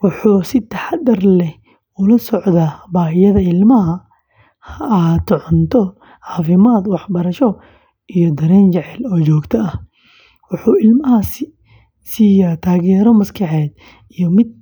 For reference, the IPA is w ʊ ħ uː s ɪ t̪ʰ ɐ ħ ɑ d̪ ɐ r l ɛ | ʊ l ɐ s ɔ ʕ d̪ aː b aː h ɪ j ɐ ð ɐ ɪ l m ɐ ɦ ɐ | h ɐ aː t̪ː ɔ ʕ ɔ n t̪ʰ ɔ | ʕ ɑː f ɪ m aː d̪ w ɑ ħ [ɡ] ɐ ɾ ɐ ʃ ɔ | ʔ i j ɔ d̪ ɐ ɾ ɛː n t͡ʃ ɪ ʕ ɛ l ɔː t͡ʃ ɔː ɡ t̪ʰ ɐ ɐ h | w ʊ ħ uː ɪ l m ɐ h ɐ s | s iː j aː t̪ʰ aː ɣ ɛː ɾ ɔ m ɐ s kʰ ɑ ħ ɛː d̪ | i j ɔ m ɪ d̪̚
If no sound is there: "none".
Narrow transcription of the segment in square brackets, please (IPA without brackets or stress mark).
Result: b